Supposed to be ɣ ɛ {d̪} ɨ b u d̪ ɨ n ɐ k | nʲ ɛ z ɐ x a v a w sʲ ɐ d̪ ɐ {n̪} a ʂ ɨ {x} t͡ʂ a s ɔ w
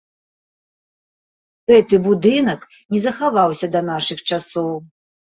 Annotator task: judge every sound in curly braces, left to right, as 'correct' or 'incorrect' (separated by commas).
incorrect, correct, correct